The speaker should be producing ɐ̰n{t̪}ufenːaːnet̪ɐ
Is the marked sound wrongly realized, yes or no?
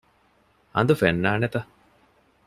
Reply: yes